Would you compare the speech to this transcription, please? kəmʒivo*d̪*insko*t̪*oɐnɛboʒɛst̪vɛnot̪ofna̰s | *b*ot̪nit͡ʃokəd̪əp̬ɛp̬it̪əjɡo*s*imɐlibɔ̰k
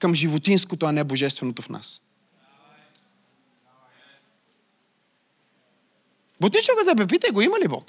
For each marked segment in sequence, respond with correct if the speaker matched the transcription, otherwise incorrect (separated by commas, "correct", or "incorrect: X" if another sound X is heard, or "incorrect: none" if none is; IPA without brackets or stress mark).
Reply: incorrect: t̪, correct, correct, incorrect: none